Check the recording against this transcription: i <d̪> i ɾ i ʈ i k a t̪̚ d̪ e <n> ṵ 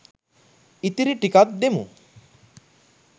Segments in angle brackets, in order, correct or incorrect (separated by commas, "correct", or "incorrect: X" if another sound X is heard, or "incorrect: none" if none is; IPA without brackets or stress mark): incorrect: t̪, incorrect: m